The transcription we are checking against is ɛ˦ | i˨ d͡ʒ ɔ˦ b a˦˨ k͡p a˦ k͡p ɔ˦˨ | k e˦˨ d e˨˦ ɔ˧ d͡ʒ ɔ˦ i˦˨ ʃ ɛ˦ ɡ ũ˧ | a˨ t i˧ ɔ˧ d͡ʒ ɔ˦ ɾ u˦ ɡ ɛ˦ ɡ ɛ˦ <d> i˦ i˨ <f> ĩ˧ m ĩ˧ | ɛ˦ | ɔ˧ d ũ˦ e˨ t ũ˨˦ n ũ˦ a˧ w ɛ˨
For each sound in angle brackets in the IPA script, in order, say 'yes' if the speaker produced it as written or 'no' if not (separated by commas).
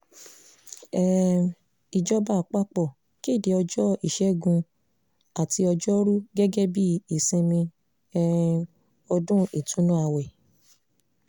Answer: no, no